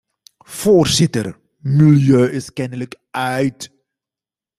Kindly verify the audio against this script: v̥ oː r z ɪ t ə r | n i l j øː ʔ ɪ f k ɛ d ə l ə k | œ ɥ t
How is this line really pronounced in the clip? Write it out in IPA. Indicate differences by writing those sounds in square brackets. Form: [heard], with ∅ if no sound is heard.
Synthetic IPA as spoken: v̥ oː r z ɪ t ə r | [m] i l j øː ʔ ɪ [s] k ɛ [n] ə l ə k | œ ɥ t